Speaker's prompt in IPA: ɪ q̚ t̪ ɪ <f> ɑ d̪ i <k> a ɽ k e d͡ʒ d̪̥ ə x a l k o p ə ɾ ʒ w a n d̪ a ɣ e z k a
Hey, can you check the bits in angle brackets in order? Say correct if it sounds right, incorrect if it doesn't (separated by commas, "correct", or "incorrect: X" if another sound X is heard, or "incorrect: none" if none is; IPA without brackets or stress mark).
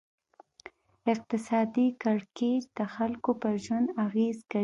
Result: incorrect: s, correct